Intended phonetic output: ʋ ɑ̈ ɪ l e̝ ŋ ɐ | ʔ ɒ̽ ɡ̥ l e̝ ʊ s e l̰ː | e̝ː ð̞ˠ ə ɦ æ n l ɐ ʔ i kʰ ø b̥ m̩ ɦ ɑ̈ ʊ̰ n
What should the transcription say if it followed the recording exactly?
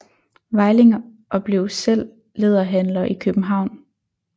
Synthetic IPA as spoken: ʋ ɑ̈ ɪ l e̝ ŋ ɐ | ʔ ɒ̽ b̥ l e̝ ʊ s e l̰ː | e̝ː ð̞ˠ ɐ ɦ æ n l ɐ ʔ i kʰ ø b̥ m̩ ɦ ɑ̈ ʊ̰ n